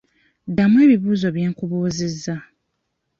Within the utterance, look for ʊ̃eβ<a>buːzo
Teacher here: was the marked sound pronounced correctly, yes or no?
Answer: no